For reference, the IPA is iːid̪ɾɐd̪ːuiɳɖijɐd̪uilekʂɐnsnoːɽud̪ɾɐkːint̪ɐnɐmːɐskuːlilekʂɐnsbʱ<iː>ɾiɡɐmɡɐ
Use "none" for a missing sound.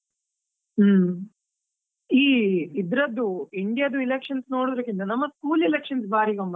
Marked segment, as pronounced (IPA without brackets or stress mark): aː